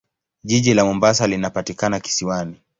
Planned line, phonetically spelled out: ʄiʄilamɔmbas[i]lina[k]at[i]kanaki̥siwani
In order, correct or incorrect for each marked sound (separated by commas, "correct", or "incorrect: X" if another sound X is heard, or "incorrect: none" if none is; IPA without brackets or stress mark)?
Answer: incorrect: a, incorrect: p, correct